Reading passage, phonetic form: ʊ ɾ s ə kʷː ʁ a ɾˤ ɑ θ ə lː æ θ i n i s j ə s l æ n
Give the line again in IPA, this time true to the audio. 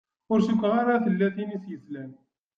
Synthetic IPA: ʊ ɾ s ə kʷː ʁ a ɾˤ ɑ θ ə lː æ θ i n i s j ə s l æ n